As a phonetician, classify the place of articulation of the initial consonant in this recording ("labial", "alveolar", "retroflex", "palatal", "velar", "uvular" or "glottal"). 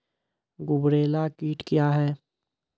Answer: velar